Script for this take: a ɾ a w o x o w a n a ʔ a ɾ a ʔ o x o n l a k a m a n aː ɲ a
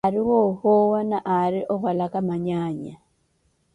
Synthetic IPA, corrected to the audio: a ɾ i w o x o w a n a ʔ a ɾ i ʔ o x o l a k a m a ɲ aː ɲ a